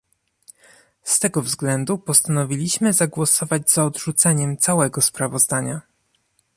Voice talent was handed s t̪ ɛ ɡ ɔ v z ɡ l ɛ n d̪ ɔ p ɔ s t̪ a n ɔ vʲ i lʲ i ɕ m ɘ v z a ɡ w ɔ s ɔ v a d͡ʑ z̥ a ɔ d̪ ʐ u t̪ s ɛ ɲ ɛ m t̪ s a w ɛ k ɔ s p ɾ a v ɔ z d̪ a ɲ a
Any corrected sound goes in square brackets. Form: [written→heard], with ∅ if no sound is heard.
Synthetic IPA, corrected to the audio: s t̪ ɛ ɡ ɔ v z ɡ l ɛ n d̪ [ɔ→u] p ɔ s t̪ a n ɔ vʲ i lʲ i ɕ m ɘ [v→∅] z a ɡ w ɔ s ɔ v a d͡ʑ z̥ a ɔ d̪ ʐ u t̪ s ɛ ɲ ɛ m t̪ s a w ɛ [k→ɡ] ɔ s p ɾ a v ɔ z d̪ a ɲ a